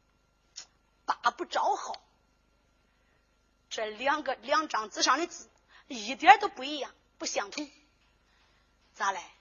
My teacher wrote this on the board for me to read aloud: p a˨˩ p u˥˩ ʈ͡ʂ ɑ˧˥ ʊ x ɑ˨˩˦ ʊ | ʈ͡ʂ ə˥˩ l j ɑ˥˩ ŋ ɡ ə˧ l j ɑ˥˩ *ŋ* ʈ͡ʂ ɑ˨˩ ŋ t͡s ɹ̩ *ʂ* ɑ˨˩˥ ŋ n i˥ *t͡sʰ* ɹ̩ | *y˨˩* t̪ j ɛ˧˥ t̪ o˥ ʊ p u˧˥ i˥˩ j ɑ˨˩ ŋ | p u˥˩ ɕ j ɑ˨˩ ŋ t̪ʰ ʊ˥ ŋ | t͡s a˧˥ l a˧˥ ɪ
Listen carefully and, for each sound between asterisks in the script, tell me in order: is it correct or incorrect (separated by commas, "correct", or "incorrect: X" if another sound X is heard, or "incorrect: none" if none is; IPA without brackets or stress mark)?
correct, correct, incorrect: t͡s, incorrect: i˨˩